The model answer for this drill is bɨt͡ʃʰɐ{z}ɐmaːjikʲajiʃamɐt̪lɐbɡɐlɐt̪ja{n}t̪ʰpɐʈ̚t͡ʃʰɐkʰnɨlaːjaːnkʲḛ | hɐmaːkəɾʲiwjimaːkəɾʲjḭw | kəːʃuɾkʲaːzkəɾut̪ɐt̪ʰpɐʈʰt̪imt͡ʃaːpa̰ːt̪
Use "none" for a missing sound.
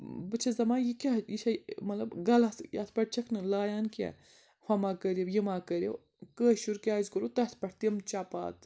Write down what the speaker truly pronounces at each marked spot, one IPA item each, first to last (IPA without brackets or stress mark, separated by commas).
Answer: z, none